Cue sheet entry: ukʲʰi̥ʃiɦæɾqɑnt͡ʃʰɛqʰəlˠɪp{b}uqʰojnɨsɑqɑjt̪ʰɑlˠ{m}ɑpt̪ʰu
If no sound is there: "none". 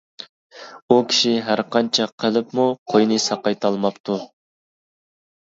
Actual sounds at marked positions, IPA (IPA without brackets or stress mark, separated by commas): m, m